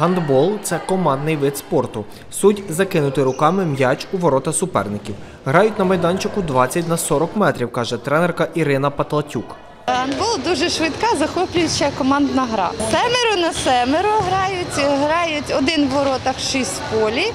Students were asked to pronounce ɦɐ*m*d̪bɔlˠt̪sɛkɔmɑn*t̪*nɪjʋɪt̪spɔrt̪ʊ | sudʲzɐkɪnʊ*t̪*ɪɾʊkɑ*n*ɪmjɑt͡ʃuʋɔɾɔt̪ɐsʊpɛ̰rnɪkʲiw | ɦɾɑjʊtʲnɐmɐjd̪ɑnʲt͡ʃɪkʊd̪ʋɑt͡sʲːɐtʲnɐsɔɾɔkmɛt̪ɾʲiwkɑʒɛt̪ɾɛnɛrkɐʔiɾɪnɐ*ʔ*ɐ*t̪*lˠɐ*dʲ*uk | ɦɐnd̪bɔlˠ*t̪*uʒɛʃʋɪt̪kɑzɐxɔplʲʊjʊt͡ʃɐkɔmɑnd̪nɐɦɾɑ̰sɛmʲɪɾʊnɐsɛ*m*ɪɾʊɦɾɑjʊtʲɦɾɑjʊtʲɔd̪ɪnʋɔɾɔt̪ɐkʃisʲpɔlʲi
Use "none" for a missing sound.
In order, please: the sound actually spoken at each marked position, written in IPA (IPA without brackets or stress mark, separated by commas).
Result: n, d̪, t̪, m, p, t̪, tʲ, d̪, m